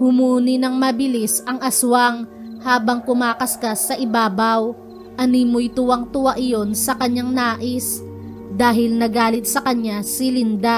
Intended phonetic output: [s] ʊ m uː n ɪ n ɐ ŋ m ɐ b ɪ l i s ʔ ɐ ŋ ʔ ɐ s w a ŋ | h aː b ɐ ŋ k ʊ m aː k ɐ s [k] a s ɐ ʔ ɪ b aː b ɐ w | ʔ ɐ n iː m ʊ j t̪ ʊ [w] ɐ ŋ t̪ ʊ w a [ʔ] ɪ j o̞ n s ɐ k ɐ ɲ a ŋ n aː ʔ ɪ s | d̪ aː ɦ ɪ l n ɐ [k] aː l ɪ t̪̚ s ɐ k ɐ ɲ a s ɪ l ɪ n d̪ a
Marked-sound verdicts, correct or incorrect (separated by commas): incorrect, correct, correct, correct, incorrect